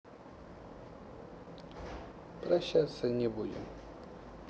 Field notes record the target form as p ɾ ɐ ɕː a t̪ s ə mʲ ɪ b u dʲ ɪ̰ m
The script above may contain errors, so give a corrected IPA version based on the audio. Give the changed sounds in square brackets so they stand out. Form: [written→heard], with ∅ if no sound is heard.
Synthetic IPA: p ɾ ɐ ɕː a t̪ s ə [mʲ→nʲ] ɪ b u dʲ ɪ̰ m